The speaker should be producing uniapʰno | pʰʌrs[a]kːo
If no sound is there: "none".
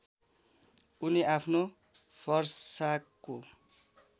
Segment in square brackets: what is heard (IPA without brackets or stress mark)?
a